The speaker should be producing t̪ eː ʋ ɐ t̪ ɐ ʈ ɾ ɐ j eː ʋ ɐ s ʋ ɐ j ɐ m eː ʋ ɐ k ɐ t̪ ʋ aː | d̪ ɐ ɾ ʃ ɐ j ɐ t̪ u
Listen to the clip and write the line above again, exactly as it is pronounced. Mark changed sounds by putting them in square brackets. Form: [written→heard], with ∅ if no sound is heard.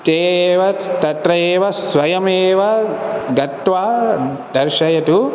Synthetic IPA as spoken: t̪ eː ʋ ɐ t̪ ɐ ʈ ɾ ɐ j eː ʋ ɐ s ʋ ɐ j ɐ m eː ʋ ɐ [k→ɡ] ɐ t̪ ʋ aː | d̪ ɐ ɾ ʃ ɐ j ɐ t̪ u